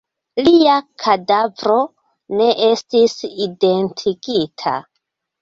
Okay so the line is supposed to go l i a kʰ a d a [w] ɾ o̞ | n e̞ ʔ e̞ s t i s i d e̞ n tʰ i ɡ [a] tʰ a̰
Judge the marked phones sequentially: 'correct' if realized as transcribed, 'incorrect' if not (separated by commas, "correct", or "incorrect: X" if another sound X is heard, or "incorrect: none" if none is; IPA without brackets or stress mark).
incorrect: v, incorrect: i